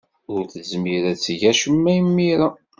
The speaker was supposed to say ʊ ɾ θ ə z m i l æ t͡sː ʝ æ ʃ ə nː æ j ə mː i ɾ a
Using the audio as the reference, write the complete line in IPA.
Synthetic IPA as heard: ʊ ɾ θ ə z m i ɾ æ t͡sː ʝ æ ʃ ə mː æ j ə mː i ɾ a